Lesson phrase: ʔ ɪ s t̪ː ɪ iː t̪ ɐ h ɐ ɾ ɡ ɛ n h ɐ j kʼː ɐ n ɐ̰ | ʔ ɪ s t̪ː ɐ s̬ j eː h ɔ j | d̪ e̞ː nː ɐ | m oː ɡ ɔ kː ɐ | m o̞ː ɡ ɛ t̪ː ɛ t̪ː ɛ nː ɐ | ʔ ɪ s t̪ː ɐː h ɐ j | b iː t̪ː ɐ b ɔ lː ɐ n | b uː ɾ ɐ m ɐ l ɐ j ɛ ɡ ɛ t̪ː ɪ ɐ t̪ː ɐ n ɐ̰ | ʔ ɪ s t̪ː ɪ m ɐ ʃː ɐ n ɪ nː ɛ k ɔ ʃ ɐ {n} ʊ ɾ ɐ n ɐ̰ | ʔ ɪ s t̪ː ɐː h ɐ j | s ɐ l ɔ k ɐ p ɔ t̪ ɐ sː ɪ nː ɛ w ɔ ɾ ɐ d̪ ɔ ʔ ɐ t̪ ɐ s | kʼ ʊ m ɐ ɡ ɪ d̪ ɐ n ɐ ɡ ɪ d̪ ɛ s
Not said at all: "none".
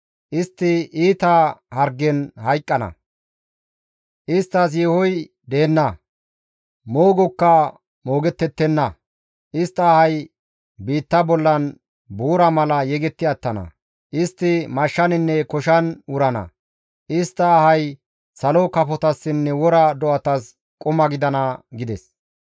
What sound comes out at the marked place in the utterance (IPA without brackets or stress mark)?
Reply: n